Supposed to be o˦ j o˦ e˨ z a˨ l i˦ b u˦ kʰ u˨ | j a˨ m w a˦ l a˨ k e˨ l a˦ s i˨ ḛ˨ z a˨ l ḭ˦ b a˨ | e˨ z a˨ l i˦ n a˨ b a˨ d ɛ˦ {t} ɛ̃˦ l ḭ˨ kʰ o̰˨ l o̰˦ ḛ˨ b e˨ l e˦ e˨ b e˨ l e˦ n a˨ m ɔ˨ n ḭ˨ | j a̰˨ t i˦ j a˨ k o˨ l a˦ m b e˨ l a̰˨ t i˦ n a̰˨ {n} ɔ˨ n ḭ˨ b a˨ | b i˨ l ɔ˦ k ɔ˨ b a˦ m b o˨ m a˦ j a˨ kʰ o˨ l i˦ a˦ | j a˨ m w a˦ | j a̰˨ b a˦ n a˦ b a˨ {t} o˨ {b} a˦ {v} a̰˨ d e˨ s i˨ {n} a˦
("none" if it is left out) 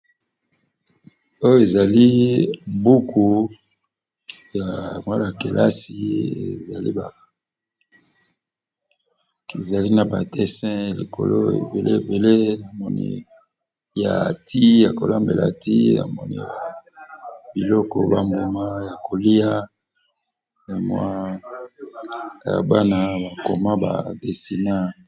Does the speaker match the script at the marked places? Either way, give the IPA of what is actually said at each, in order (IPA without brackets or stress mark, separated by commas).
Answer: s, m, k, m, b, n